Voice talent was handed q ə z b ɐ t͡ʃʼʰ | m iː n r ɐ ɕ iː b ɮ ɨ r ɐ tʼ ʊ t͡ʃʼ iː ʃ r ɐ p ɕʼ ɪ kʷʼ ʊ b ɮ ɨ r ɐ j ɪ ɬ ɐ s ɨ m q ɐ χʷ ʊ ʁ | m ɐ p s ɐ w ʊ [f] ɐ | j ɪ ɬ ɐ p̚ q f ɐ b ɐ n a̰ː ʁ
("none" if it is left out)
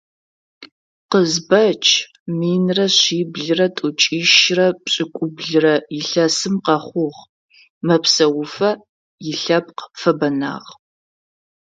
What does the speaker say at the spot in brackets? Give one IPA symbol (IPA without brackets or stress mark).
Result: f